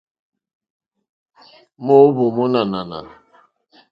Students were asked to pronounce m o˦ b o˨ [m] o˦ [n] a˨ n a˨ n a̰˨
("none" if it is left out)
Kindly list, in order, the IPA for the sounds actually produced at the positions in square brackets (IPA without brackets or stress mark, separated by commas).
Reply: m, n